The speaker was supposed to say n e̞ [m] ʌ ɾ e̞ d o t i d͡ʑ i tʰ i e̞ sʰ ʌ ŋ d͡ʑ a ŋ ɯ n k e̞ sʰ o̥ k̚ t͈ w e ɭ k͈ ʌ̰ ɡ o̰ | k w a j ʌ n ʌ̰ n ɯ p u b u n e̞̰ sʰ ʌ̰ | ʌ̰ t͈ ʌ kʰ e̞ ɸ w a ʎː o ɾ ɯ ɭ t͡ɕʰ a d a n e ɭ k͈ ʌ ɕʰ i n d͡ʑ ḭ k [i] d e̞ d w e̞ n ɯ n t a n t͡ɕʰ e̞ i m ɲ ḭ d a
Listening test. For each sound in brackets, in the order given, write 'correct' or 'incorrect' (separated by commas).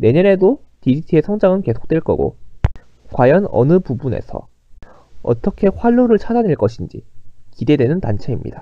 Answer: incorrect, correct